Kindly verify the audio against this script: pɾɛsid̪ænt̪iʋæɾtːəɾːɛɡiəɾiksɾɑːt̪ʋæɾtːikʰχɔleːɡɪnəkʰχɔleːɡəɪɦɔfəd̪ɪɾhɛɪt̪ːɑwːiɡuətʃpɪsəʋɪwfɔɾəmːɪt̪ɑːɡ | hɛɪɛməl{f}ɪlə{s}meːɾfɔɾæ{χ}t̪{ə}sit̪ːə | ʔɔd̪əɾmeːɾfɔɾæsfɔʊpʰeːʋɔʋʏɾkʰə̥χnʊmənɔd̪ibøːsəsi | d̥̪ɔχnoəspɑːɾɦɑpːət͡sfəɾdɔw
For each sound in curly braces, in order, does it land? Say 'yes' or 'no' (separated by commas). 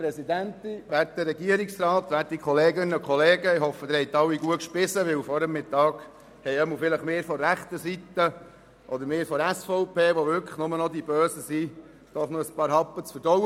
yes, no, yes, yes